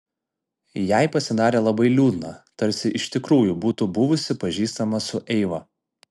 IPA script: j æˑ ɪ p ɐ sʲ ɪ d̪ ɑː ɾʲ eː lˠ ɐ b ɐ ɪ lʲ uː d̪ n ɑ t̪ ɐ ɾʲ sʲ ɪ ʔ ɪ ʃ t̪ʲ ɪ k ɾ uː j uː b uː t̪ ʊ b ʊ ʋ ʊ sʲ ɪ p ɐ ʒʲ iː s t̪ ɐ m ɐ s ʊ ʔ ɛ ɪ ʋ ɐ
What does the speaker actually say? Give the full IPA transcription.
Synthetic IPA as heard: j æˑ ɪ p ɐ sʲ ɪ d̪ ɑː ɾʲ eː lˠ ɐ b ɐ ɪ lʲ uː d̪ n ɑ t̪ ɐ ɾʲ sʲ ɪ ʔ ɪ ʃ t̪ʲ ɪ k ɾ uː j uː b uː t̪ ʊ b ʊ ʋ ʊ sʲ ɪ p ɐ ʒʲ iː s t̪ ɐ m ɐ s ʊ ʔ ɛ ɪ ʋ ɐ